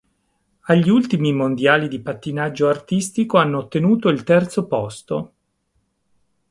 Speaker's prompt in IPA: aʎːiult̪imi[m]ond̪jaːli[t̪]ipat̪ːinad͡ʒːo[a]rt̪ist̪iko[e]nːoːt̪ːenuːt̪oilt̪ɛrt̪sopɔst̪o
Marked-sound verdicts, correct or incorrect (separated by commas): correct, incorrect, correct, incorrect